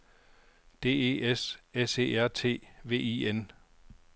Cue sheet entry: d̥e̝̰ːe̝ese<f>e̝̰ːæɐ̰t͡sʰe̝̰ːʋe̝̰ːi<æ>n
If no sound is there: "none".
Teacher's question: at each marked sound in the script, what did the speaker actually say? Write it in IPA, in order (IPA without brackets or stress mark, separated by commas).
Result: s, e